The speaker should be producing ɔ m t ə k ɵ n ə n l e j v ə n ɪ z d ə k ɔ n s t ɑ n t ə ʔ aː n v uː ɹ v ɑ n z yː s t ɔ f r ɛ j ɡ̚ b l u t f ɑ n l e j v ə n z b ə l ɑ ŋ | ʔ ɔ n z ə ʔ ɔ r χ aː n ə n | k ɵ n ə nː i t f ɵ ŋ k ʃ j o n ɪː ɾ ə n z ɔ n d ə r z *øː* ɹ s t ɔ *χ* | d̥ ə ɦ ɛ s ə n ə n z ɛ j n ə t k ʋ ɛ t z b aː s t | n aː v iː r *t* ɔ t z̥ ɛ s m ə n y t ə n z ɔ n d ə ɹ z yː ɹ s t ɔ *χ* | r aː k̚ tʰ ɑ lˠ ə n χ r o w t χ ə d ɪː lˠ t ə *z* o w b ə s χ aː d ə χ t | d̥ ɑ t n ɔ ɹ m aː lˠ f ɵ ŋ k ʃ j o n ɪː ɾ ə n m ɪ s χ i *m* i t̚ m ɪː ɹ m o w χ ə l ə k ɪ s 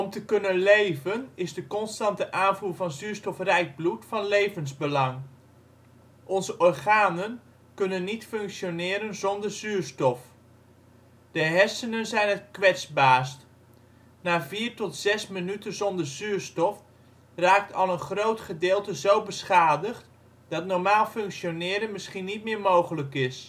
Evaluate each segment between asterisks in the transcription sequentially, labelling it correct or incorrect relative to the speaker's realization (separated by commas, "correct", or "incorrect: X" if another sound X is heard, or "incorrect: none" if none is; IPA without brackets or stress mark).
incorrect: yː, incorrect: f, correct, incorrect: f, correct, incorrect: n